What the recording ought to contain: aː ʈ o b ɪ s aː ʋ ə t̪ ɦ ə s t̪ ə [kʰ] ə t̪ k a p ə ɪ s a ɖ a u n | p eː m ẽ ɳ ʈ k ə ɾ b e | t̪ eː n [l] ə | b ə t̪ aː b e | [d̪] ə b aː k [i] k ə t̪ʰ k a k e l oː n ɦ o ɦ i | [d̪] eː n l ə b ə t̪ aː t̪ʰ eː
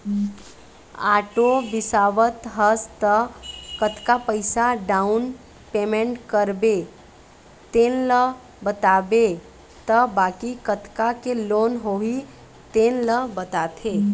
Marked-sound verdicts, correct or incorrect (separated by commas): incorrect, correct, incorrect, correct, incorrect